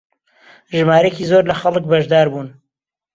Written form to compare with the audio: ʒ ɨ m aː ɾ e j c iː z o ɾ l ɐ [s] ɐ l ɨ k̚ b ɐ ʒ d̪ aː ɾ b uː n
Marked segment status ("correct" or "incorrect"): incorrect